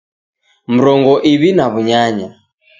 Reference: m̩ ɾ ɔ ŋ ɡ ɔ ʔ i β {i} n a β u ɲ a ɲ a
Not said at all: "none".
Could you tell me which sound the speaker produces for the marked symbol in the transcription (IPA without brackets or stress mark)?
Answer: i